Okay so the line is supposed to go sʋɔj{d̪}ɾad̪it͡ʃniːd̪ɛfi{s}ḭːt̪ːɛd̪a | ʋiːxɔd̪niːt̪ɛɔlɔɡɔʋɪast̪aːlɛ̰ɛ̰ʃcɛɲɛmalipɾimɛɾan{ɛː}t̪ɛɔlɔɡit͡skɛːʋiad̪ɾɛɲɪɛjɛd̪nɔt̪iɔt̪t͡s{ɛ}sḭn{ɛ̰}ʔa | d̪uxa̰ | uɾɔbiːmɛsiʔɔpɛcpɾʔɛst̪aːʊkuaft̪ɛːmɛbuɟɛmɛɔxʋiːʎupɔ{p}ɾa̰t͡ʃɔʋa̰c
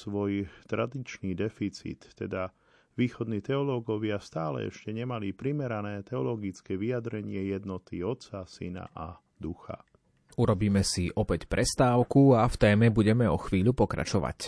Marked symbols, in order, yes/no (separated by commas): no, no, yes, no, no, no